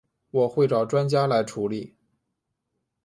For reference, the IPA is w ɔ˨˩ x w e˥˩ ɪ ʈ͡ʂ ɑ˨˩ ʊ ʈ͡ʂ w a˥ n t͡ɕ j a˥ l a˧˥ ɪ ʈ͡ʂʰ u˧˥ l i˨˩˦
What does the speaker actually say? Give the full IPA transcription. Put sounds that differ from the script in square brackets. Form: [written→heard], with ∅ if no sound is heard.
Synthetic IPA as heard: w ɔ˨˩ x w e˥˩ ɪ ʈ͡ʂ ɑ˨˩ ʊ ʈ͡ʂ w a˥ n t͡ɕ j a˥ l a˧˥ ɪ ʈ͡ʂʰ u˧˥ l i˨˩˦